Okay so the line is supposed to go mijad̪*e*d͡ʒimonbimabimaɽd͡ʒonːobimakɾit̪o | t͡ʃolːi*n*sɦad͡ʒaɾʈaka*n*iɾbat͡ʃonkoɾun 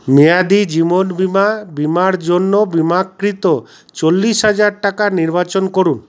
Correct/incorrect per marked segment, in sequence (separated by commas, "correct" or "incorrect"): incorrect, incorrect, correct